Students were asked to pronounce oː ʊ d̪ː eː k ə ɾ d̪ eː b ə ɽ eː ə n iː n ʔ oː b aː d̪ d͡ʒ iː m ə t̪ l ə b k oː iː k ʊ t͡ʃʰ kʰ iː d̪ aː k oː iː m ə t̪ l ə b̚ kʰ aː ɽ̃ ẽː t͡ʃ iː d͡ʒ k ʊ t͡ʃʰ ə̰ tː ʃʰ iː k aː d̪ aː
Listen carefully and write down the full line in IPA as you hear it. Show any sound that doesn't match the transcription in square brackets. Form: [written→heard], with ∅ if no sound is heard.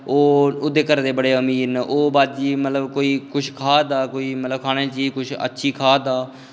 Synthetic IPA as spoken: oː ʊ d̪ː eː k ə ɾ d̪ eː b ə ɽ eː ə [n→m] iː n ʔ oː b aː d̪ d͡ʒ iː m ə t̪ l ə b k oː iː k ʊ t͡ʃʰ kʰ [iː→aː] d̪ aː k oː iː m ə t̪ l ə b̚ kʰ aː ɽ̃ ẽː t͡ʃ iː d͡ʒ k ʊ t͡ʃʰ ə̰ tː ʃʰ iː [k→kʰ] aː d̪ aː

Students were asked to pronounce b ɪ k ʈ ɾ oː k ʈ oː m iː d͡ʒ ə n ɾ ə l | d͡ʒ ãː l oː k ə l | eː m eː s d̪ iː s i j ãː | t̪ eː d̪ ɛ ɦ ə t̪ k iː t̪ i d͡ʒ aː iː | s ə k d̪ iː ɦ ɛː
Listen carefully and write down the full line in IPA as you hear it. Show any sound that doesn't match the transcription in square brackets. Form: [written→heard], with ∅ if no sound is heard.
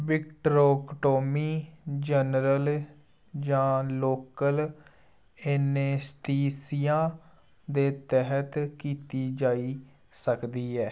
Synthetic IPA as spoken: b ɪ k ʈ ɾ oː k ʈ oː m iː d͡ʒ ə n ɾ ə l | d͡ʒ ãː l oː k ə l | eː [m→n] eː s [d̪→t̪] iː s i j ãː | [t̪→d̪] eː [d̪→t̪] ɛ ɦ ə t̪ k iː t̪ [i→iː] d͡ʒ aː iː | s ə k d̪ iː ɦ ɛː

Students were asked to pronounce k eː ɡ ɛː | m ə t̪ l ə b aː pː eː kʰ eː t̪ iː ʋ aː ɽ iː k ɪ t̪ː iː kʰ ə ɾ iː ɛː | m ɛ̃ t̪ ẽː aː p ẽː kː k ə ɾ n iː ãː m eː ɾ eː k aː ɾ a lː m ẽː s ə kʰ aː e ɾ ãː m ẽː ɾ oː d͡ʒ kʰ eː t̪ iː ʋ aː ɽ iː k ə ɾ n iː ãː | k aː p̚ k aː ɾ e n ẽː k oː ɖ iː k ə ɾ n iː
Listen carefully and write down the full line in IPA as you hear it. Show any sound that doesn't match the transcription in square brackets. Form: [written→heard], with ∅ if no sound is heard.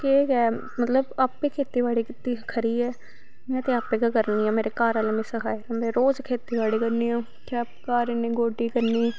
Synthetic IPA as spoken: k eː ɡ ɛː | m ə t̪ l ə b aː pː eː kʰ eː t̪ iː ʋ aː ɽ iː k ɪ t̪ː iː kʰ ə ɾ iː ɛː | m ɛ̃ t̪ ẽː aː p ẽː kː k ə ɾ n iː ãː m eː ɾ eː k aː ɾ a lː m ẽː s ə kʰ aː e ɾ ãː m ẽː ɾ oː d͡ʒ kʰ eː t̪ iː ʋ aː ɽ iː k ə ɾ n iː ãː | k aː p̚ k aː ɾ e n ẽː [k→ɡ] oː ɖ iː k ə ɾ n iː

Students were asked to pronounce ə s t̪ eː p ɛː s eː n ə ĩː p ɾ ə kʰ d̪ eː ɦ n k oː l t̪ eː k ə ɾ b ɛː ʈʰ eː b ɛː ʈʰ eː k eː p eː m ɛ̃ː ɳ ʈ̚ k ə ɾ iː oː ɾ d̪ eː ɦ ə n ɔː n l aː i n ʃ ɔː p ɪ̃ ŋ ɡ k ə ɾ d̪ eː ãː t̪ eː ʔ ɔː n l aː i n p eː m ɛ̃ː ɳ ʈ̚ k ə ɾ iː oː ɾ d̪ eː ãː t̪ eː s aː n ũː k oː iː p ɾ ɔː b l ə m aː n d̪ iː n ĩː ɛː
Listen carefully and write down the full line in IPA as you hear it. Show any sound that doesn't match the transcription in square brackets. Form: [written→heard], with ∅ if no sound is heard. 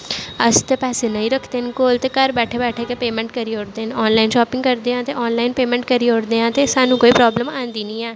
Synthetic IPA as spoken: ə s t̪ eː p ɛː s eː n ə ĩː [p→∅] ɾ ə kʰ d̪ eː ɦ n k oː l t̪ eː k ə ɾ b ɛː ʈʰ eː b ɛː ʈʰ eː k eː p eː m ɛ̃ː ɳ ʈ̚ k ə ɾ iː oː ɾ d̪ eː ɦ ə n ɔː n l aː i n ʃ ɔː p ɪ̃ ŋ ɡ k ə ɾ d̪ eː ãː t̪ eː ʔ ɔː n l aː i n p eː m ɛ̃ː ɳ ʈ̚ k ə ɾ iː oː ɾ d̪ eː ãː t̪ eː s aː n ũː k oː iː p ɾ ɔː b l ə m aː n d̪ iː n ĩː ɛː

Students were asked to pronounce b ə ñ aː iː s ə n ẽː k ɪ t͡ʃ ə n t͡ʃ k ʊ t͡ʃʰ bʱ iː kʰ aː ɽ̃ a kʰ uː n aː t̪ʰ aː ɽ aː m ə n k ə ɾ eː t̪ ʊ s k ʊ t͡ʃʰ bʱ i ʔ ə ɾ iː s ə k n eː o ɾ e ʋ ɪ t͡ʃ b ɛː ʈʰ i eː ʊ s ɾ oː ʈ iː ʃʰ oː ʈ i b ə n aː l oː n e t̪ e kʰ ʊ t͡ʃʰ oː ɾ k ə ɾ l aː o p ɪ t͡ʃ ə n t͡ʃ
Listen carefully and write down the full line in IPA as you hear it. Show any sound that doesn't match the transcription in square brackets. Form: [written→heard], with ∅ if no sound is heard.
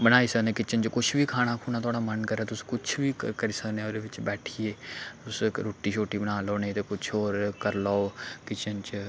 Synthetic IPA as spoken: b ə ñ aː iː s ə n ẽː k ɪ t͡ʃ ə n t͡ʃ k ʊ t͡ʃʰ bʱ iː kʰ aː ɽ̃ a kʰ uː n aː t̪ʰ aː ɽ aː m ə n k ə ɾ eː t̪ ʊ s k ʊ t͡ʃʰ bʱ i [ʔ→k] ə ɾ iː s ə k n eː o ɾ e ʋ ɪ t͡ʃ b ɛː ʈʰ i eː ʊ s ɾ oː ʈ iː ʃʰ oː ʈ i b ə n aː l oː n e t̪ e [kʰ→k] ʊ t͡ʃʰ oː ɾ k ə ɾ l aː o [p→k] ɪ t͡ʃ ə n t͡ʃ

